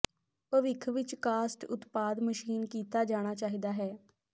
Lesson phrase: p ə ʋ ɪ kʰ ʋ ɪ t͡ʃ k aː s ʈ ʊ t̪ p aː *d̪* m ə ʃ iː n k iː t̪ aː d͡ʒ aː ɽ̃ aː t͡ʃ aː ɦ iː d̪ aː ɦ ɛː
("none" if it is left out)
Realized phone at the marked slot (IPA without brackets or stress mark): d̪